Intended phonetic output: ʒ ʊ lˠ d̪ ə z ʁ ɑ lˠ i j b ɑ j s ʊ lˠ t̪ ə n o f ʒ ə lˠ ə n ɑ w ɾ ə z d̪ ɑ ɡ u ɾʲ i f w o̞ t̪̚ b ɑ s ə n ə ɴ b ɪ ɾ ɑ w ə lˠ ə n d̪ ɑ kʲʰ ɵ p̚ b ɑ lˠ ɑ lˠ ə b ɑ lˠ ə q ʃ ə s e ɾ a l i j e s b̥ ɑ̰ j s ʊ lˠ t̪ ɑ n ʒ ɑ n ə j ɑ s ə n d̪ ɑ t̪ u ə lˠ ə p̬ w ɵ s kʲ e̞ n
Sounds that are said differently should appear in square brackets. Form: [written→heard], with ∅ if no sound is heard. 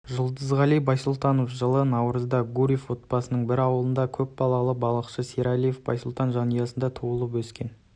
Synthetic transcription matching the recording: ʒ ʊ lˠ d̪ ə z ʁ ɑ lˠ i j b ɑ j s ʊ lˠ t̪ [ə→ɑ] n o f ʒ ə lˠ ə n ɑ w ɾ ə z d̪ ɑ ɡ u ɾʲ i f w o̞ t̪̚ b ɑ s ə n ə ɴ b ɪ ɾ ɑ w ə lˠ ə n d̪ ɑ kʲʰ ɵ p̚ b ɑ lˠ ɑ lˠ ə b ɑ lˠ ə q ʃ ə s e ɾ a l i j e [s→f] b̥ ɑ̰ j s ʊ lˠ t̪ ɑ n ʒ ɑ n ə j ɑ s ə n d̪ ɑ [t̪→t̪ʰ] u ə lˠ ə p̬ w ɵ s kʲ e̞ n